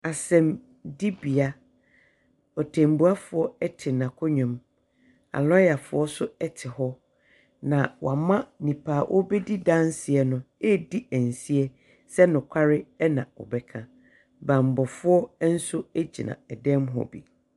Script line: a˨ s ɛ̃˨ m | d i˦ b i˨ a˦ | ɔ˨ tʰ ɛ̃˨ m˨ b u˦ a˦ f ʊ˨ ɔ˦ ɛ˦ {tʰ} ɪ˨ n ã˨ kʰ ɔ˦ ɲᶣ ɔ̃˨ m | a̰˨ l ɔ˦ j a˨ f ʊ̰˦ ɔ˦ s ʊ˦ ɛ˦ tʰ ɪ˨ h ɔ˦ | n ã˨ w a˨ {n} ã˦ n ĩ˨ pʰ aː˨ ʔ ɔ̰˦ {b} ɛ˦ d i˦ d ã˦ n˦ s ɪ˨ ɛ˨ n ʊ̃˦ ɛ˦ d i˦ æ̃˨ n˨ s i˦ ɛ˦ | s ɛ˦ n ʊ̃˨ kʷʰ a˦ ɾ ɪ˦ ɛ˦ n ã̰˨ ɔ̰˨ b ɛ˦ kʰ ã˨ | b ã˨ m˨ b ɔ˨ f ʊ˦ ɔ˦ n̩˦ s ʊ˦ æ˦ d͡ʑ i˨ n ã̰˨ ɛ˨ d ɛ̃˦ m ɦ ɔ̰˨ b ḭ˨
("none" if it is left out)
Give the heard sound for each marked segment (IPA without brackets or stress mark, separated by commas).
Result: tʰ, m, b